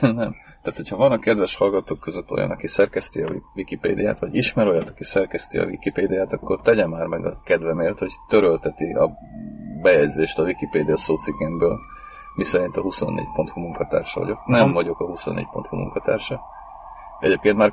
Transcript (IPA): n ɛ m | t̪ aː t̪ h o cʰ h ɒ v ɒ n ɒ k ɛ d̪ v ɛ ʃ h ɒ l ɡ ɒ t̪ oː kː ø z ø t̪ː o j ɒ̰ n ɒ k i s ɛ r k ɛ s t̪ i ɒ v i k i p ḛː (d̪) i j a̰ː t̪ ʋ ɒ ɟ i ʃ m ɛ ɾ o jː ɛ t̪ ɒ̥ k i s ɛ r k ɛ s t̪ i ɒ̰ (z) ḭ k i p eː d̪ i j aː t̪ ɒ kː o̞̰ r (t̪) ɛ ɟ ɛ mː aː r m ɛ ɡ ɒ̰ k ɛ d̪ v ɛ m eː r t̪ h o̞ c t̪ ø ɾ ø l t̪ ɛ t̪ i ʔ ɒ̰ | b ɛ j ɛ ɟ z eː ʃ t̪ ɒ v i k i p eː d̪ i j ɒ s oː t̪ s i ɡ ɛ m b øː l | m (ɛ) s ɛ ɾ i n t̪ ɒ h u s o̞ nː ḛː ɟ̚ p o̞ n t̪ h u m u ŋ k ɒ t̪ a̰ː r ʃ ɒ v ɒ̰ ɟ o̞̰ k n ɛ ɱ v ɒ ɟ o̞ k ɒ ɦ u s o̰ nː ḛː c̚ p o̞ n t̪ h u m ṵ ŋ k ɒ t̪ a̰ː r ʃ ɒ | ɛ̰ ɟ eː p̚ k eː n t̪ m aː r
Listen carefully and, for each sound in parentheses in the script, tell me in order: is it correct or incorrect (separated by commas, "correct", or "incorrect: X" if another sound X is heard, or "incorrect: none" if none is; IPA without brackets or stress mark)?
correct, incorrect: v, correct, incorrect: i